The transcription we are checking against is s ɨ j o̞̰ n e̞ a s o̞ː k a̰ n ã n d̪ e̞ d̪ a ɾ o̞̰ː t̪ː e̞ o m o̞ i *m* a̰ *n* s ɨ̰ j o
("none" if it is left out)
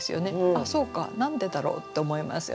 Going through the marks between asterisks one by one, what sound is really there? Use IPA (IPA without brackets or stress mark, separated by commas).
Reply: m, none